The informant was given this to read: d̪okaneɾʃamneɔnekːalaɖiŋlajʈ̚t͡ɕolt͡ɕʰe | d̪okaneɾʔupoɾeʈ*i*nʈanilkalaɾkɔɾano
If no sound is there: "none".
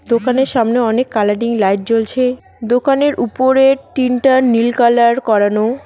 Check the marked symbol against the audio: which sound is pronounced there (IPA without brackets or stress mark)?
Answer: i